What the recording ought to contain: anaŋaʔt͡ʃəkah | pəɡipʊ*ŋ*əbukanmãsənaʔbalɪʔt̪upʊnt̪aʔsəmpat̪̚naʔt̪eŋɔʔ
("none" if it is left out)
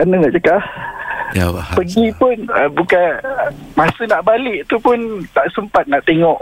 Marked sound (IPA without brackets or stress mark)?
n